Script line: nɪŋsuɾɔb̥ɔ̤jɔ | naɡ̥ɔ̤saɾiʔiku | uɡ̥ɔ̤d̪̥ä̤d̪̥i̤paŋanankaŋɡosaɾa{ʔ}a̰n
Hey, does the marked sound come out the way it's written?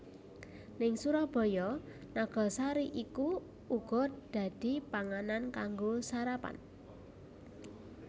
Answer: no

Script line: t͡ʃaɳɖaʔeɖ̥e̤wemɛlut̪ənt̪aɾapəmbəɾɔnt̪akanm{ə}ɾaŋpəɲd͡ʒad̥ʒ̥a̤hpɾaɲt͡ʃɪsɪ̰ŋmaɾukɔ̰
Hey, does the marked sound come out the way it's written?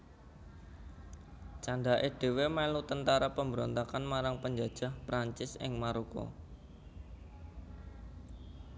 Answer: no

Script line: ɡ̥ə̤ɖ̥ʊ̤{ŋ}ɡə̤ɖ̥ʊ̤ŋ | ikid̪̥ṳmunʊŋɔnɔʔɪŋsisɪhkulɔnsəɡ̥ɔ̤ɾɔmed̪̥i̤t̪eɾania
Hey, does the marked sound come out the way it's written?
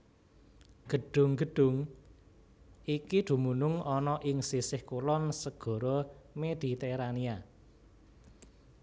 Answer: yes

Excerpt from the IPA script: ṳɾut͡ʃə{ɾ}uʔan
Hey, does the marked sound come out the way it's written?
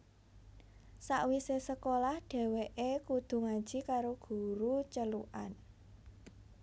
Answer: no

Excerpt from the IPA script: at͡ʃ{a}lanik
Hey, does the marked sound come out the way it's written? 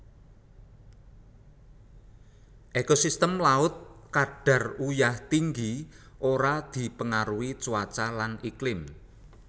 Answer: yes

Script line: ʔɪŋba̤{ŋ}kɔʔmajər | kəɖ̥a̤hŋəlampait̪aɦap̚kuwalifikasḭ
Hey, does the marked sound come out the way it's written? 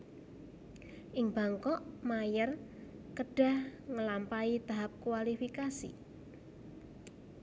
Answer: yes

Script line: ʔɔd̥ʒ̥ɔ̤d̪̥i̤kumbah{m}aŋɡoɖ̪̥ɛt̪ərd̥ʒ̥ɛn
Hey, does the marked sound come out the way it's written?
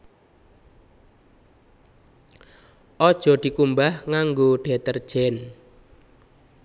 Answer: no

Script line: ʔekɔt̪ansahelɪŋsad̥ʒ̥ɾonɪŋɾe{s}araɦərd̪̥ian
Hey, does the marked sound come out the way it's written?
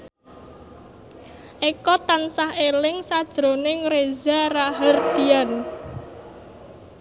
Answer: no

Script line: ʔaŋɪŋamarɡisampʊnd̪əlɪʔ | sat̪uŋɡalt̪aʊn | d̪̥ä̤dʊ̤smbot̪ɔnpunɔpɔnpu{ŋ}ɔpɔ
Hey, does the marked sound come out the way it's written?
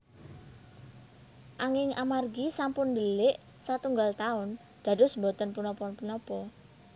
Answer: no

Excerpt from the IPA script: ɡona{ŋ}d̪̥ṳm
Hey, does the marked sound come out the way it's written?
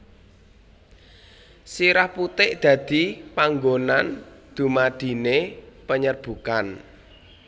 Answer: no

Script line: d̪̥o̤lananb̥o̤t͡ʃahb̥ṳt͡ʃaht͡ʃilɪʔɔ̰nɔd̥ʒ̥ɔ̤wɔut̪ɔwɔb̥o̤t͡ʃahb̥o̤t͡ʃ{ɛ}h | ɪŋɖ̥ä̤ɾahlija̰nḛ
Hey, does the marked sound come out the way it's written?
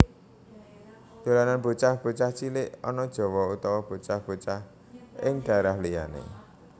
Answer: no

